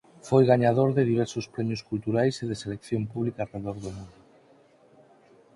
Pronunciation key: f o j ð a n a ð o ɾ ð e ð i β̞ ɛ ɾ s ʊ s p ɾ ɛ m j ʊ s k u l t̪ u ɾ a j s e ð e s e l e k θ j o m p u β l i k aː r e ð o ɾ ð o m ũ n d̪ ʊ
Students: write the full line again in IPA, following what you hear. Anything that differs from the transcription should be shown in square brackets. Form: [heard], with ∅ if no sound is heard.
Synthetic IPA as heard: f o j [ɣ] a [ɲ] a ð o ɾ ð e ð i β̞ ɛ ɾ s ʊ s p ɾ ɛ m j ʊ s k u l t̪ u ɾ a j s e ð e s e l e k θ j o m p u β l i k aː r e ð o ɾ ð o m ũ n d̪ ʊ